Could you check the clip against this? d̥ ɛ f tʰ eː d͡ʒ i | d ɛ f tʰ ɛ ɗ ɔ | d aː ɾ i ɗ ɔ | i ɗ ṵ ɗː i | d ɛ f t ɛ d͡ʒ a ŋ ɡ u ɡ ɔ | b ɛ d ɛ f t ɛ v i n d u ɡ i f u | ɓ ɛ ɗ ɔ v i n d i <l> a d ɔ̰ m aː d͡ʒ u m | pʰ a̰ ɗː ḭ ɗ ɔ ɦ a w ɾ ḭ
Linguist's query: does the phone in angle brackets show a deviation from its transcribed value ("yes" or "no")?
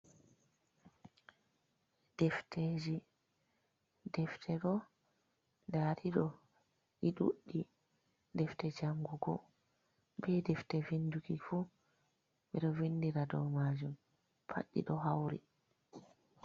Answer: yes